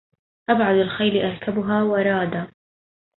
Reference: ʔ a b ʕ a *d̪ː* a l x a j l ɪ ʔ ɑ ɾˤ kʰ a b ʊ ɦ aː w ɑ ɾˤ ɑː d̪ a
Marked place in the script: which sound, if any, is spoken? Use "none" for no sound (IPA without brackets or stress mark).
d̪